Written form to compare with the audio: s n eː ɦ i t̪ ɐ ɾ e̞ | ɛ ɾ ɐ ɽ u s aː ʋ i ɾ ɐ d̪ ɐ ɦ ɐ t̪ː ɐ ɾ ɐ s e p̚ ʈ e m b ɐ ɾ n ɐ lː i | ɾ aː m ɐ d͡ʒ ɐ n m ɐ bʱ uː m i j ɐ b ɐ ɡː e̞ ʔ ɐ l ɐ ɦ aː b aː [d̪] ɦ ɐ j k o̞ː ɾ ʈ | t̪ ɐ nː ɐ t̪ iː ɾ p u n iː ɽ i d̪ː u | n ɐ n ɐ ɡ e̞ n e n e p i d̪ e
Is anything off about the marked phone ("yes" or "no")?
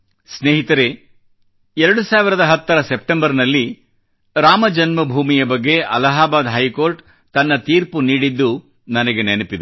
no